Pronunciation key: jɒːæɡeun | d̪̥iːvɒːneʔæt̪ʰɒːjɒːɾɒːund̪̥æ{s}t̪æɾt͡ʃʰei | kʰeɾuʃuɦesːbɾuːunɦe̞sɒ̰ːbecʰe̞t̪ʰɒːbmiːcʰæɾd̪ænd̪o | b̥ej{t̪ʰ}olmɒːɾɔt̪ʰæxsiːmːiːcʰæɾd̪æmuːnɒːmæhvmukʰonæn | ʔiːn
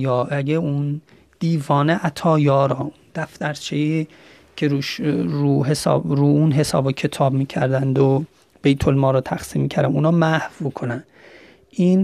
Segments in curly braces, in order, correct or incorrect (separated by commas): incorrect, correct